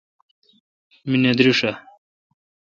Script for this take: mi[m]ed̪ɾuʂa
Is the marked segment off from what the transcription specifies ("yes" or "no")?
yes